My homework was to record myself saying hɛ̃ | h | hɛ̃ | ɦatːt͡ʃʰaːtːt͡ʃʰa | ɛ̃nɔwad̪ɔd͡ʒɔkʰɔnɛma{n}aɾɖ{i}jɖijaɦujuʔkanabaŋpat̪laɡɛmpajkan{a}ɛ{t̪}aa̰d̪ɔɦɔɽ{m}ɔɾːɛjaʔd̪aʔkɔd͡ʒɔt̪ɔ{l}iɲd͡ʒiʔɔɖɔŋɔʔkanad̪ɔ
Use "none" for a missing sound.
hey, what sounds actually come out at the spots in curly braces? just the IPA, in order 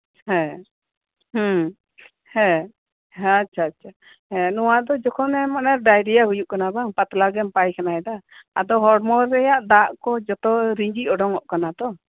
n, a, a, d̪, m, ɾ

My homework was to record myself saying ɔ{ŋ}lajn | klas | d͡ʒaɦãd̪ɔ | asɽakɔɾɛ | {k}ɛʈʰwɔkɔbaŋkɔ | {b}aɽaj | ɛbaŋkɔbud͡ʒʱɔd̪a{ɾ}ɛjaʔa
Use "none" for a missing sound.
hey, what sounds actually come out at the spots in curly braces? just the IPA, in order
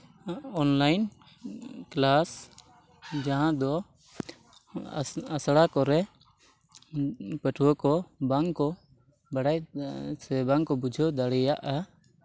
n, p, b, ɽ

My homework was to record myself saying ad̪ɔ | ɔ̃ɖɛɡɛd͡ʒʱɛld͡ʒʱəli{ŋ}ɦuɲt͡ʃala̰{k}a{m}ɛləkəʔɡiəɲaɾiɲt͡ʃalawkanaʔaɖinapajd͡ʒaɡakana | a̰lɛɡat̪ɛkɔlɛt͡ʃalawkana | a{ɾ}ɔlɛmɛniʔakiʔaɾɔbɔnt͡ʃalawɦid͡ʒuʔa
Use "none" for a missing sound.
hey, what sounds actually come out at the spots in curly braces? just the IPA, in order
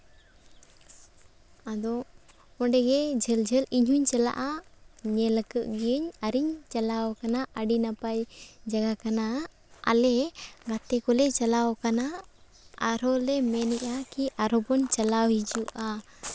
ɲ, ʔ, ɲ, ɾ

